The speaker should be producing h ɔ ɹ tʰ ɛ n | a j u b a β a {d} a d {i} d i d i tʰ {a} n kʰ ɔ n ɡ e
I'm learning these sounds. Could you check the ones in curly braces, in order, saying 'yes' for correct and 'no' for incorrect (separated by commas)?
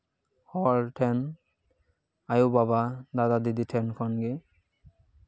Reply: yes, no, no